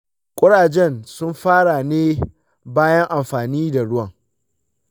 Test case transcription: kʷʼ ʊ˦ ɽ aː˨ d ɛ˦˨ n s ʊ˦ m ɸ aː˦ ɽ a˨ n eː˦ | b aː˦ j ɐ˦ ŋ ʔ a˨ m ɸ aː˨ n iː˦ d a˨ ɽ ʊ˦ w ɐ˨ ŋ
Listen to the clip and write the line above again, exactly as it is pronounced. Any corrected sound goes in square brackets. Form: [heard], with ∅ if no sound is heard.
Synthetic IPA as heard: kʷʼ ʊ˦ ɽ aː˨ [d͡ʒ] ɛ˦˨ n s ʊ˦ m ɸ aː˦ ɽ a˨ n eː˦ | b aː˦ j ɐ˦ ŋ ʔ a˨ m ɸ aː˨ n iː˦ d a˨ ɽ ʊ˦ w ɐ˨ ŋ